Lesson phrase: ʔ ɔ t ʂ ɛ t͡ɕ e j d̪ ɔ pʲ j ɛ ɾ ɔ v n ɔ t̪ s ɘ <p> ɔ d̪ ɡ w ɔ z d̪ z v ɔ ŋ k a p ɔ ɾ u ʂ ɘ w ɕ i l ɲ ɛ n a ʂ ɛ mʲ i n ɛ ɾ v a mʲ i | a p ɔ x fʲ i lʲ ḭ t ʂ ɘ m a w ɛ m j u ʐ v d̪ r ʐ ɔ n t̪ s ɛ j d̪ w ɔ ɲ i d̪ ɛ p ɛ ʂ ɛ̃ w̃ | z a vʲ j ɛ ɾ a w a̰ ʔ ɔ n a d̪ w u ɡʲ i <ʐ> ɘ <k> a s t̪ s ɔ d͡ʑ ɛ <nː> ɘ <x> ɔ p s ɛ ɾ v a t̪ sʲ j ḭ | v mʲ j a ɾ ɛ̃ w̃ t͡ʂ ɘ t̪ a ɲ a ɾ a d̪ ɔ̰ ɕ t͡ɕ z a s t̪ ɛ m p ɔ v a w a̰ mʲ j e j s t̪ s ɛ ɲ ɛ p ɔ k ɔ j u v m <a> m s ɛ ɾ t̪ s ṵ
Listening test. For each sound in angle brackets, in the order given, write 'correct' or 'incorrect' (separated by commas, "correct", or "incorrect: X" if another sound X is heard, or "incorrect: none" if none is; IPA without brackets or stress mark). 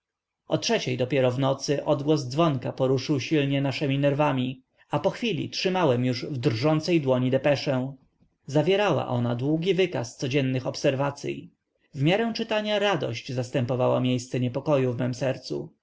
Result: incorrect: ʔ, incorrect: v, correct, correct, correct, incorrect: ɛ